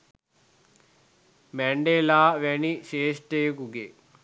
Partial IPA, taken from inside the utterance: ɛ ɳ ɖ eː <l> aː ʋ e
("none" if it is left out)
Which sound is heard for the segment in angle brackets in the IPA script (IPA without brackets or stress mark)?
l